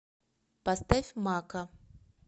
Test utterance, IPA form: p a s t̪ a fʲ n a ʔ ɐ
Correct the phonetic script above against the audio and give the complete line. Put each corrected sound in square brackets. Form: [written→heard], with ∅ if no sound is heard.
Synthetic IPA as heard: p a s t̪ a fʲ [n→m] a [ʔ→k] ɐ

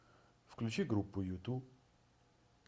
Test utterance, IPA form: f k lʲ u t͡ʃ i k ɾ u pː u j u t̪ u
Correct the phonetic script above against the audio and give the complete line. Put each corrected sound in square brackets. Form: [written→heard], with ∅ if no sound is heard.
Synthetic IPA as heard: f k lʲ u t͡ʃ i [k→ɡ] ɾ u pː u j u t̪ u

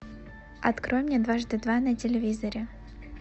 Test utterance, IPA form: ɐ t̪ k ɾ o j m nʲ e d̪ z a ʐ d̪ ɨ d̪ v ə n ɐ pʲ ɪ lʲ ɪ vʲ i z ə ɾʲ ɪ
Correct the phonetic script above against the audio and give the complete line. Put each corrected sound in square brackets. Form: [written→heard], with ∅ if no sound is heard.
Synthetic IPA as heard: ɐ t̪ k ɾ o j m nʲ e d̪ [z→v] a ʐ d̪ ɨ d̪ v [ə→a] n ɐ [pʲ→tʲ] ɪ lʲ ɪ vʲ i z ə ɾʲ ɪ

